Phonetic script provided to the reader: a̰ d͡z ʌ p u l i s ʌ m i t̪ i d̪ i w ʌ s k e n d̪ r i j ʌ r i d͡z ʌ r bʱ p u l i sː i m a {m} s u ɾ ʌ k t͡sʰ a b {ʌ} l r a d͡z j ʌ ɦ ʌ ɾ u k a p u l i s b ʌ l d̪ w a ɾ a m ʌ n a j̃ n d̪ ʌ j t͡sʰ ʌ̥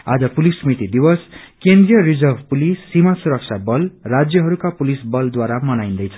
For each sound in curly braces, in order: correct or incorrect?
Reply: incorrect: none, correct

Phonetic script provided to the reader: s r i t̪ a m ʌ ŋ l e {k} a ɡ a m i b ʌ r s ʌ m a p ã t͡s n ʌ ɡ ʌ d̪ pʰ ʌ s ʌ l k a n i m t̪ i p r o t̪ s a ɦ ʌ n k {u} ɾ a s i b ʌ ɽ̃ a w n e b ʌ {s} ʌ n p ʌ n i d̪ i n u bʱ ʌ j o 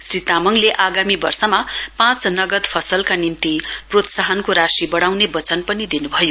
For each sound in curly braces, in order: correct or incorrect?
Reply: incorrect: ʔ, incorrect: o, incorrect: t͡s

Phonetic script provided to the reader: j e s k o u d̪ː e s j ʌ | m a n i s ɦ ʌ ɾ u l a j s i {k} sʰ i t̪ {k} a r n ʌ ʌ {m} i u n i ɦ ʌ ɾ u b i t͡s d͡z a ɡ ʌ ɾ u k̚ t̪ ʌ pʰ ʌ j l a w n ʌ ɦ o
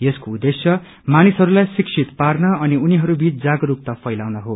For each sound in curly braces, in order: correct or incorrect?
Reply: correct, incorrect: p, incorrect: n

